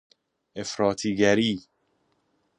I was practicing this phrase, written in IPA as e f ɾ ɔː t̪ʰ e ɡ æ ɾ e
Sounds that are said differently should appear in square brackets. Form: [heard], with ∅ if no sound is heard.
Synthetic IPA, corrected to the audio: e f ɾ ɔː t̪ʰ [i] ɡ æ ɾ [i]